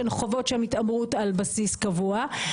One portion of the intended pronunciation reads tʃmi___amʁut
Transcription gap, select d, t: t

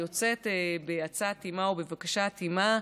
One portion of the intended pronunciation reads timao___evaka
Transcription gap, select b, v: b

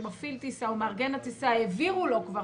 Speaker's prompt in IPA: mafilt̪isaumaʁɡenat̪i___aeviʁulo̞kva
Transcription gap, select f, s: s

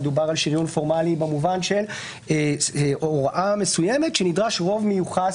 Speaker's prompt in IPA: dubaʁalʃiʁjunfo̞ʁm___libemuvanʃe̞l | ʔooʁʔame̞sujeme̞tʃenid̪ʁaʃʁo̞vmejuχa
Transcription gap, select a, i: a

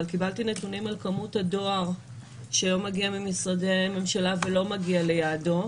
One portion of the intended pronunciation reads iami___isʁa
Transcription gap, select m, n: m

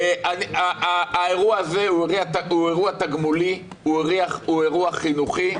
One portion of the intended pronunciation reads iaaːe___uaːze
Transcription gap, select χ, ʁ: ʁ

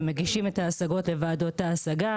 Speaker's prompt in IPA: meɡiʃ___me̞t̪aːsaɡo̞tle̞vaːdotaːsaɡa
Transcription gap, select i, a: i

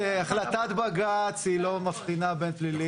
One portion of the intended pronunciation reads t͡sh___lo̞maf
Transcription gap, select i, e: i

